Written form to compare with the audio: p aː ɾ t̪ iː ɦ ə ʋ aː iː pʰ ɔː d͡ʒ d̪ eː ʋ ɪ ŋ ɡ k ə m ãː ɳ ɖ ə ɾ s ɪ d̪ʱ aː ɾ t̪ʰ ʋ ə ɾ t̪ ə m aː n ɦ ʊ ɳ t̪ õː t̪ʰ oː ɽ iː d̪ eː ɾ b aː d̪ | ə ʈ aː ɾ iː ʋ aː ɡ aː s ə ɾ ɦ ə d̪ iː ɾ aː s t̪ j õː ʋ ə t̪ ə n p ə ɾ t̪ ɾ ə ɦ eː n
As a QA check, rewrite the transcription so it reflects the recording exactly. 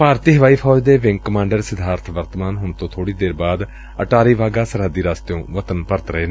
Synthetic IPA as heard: p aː ɾ t̪ iː ɦ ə ʋ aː iː pʰ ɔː d͡ʒ d̪ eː ʋ ɪ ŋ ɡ k ə m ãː ɳ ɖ ə ɾ s ɪ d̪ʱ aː ɾ t̪ʰ ʋ ə ɾ t̪ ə m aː n ɦ ʊ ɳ t̪ õː t̪ʰ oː ɽ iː d̪ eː ɾ b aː d̪ | ə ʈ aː ɾ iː ʋ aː ɡ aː s ə ɾ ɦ ə d̪ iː ɾ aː s t̪ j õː ʋ ə t̪ ə n p ə ɾ t̪ ɾ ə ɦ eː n